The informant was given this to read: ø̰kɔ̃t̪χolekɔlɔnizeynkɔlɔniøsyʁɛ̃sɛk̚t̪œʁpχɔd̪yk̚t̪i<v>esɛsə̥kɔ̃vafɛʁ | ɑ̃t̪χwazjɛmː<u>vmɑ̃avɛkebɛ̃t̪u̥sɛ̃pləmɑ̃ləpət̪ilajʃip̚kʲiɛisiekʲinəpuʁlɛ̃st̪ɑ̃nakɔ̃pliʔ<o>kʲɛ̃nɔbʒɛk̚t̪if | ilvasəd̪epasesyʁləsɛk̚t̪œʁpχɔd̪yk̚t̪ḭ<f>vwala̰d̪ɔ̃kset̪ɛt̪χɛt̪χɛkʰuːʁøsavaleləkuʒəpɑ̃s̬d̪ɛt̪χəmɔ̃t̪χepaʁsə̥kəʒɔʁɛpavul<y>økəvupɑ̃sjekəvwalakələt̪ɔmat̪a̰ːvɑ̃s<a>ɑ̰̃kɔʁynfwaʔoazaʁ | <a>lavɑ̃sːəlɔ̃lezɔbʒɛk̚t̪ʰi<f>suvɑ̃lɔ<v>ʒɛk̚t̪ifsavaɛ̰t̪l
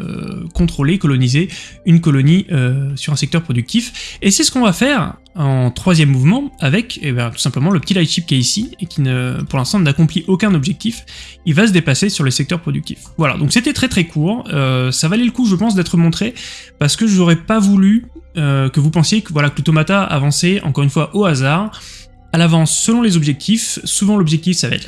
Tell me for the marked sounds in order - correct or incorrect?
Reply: incorrect, correct, correct, correct, correct, incorrect, correct, correct, incorrect

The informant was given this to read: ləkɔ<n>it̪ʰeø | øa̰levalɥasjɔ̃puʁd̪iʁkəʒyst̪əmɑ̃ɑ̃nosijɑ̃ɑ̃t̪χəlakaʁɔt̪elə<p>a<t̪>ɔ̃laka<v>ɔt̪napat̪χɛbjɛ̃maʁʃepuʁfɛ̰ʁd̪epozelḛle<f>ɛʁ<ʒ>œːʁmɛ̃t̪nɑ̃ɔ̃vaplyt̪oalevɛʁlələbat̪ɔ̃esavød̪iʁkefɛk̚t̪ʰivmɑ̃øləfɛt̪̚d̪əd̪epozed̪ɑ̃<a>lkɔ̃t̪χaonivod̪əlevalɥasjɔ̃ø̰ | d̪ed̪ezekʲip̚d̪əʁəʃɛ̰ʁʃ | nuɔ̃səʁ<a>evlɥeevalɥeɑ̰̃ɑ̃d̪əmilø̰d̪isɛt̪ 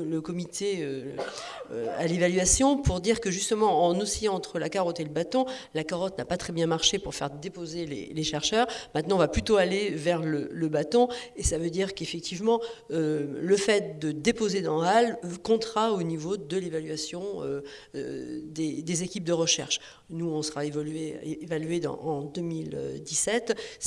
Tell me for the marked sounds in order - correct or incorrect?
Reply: incorrect, incorrect, correct, incorrect, incorrect, incorrect, correct, correct

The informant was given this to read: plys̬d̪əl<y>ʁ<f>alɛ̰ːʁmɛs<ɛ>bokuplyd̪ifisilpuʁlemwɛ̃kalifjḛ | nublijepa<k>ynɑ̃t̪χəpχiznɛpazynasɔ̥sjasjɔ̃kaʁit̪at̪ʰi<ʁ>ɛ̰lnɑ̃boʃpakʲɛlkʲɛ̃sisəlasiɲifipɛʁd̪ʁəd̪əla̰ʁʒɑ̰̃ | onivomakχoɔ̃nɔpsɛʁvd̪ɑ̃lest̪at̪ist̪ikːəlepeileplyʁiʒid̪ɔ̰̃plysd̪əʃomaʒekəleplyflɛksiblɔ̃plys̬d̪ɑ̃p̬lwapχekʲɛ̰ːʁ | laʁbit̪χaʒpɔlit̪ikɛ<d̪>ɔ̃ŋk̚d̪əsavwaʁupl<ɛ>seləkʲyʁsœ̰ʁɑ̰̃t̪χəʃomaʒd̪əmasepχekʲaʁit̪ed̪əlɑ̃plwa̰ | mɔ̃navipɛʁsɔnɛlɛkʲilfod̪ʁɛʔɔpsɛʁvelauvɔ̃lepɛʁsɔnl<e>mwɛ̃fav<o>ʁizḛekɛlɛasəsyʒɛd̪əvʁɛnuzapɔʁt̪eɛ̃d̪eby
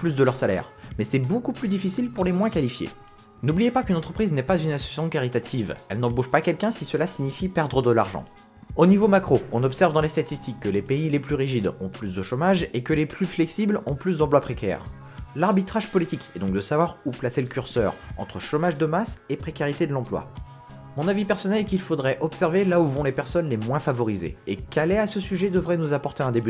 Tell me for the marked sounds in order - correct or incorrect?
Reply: incorrect, incorrect, correct, correct, incorrect, correct, incorrect, correct, incorrect

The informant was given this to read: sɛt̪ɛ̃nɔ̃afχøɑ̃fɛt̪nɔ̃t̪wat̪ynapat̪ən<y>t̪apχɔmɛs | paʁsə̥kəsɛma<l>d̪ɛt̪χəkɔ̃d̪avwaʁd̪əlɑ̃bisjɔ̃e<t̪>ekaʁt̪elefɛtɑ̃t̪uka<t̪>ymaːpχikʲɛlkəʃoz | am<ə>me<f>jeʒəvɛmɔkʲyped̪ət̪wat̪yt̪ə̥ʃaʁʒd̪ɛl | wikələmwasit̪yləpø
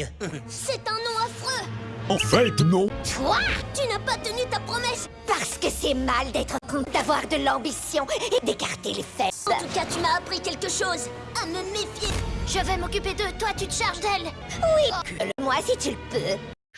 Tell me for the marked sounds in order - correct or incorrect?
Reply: correct, correct, incorrect, correct, correct, correct

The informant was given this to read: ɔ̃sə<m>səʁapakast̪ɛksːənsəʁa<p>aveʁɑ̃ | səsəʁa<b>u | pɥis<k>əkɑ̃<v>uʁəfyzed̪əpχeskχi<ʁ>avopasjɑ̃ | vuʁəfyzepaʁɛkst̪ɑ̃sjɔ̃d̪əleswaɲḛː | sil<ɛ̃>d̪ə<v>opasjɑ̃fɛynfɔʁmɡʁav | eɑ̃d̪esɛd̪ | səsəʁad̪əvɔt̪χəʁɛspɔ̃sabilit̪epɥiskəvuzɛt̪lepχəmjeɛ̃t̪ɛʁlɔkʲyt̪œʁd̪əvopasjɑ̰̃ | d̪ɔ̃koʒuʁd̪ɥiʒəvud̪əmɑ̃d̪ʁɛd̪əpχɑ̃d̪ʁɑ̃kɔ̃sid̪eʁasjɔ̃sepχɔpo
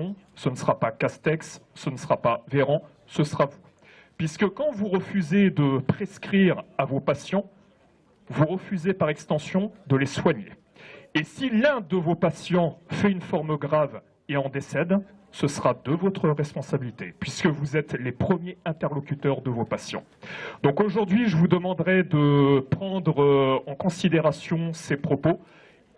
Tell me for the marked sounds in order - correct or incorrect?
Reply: incorrect, correct, incorrect, correct, correct, correct, correct, correct

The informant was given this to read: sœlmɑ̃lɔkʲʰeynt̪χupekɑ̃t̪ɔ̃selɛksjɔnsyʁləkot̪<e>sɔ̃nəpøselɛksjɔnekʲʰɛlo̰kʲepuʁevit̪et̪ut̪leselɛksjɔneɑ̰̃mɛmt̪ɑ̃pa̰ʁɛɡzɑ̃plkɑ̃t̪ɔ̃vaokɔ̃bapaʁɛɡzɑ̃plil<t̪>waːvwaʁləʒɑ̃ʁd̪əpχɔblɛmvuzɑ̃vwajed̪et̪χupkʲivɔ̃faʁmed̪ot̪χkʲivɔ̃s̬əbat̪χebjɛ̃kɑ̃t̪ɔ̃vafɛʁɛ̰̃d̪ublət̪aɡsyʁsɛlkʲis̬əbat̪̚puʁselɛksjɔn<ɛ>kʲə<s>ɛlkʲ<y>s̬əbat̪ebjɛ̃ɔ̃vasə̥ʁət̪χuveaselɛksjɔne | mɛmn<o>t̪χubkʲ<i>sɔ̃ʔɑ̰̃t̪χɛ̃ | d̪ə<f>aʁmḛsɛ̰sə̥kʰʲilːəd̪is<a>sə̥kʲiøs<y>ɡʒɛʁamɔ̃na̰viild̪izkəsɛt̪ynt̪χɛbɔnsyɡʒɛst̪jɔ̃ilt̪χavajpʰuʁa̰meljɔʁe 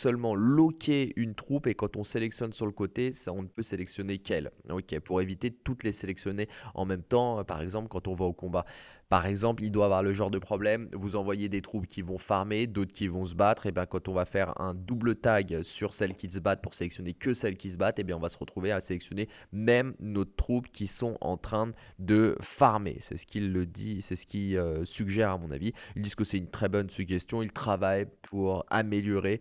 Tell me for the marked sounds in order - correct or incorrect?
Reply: correct, incorrect, incorrect, correct, incorrect, correct, correct, correct, incorrect, correct

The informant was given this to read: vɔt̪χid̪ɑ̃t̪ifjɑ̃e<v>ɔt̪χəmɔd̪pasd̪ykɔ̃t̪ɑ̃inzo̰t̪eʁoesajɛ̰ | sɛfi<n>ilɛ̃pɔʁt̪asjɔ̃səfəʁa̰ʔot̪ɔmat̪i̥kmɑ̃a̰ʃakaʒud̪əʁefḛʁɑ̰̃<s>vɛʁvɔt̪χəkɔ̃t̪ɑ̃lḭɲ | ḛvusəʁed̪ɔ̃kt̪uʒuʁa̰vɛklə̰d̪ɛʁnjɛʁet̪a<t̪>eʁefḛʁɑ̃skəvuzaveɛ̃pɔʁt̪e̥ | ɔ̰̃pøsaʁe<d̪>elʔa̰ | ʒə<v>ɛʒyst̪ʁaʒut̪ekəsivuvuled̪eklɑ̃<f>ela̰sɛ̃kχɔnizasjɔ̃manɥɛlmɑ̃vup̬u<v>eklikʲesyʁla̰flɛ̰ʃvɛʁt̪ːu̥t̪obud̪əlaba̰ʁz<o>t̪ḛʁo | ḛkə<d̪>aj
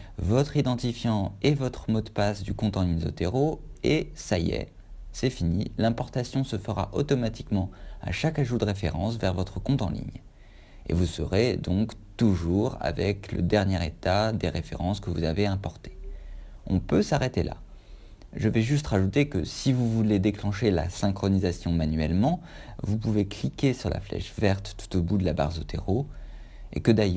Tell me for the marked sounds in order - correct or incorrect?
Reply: correct, correct, correct, incorrect, incorrect, correct, incorrect, correct, correct, correct

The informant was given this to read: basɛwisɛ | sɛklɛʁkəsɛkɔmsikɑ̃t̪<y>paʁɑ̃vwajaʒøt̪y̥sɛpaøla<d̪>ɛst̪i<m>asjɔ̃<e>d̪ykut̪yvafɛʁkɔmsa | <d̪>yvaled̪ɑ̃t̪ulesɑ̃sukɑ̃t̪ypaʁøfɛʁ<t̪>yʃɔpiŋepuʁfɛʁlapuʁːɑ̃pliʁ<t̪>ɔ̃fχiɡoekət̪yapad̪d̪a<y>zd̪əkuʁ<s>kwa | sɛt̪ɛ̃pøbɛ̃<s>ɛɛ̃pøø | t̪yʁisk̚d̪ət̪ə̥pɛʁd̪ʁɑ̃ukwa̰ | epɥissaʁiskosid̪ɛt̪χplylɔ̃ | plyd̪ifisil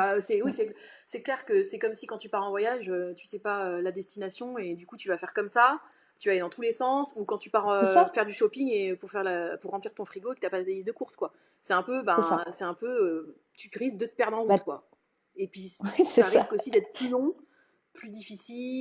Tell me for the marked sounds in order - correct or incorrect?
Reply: correct, correct, incorrect, correct, incorrect, incorrect, correct, incorrect, correct, correct

